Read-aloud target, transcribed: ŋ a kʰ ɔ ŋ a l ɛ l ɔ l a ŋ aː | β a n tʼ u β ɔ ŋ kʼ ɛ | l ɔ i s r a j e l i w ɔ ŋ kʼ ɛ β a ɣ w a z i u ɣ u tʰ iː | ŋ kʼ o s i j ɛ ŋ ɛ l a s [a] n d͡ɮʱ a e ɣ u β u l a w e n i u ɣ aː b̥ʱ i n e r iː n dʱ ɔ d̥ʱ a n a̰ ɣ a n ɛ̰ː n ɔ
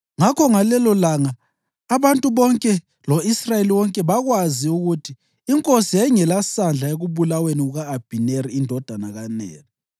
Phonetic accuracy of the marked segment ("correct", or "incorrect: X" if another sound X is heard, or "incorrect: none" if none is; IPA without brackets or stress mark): correct